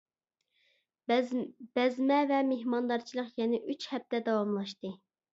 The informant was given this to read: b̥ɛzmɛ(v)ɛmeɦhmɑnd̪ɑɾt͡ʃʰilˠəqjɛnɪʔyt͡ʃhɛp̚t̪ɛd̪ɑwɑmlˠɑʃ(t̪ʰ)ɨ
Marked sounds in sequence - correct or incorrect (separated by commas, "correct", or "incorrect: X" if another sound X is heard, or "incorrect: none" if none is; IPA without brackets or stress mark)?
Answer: correct, incorrect: t̪